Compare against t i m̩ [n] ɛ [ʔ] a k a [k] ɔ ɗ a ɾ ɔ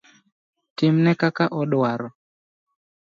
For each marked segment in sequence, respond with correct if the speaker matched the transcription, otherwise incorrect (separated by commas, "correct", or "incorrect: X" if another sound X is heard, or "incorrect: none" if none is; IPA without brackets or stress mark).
correct, incorrect: k, incorrect: ʔ